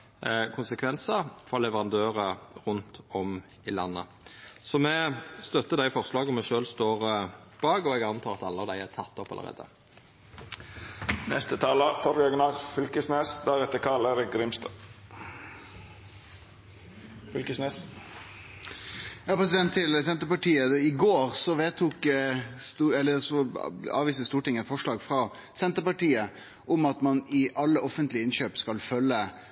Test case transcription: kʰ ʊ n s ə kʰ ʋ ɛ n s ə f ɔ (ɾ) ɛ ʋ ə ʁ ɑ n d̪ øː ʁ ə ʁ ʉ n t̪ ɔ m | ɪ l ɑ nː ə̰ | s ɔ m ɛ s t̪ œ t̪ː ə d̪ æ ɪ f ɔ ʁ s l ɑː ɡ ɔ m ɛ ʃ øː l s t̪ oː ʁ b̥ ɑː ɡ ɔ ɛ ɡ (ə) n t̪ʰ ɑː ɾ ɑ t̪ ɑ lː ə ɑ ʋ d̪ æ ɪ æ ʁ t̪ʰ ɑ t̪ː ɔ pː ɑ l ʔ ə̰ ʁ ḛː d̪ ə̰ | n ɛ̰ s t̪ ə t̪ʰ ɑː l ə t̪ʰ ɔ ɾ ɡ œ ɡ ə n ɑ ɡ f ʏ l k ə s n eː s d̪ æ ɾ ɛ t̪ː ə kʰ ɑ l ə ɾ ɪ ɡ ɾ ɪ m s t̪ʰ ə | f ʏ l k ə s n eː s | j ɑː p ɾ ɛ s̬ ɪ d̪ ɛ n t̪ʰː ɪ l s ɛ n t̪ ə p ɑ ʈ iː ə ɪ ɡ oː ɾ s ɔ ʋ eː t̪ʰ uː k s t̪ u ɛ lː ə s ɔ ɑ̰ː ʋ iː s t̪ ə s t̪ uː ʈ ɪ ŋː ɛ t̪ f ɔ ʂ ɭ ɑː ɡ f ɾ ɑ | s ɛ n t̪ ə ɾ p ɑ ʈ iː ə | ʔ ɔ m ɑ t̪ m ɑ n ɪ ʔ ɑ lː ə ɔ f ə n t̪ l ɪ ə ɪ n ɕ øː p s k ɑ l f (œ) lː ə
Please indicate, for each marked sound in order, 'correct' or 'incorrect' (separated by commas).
incorrect, incorrect, correct